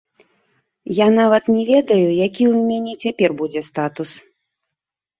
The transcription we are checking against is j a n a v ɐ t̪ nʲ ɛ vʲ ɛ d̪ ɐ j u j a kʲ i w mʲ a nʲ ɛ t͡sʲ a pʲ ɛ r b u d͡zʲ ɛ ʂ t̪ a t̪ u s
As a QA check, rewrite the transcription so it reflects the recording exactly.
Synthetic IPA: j a n a v ɐ t̪ nʲ ɛ vʲ ɛ d̪ ɐ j u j a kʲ i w mʲ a nʲ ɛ t͡sʲ a pʲ ɛ r b u d͡zʲ ɛ s t̪ a t̪ u s